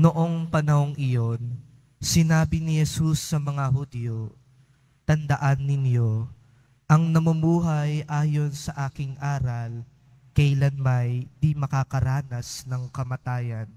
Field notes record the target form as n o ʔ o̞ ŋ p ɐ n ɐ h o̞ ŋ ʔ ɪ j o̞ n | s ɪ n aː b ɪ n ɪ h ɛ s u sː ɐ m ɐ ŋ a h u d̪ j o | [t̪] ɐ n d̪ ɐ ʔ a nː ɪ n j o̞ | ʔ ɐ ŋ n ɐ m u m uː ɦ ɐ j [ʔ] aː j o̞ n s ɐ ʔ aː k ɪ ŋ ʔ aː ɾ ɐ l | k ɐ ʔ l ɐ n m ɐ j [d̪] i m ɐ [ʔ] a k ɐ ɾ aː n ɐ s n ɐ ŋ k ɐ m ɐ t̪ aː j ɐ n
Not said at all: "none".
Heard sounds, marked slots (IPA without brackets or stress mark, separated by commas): t̪, ʔ, d̪, k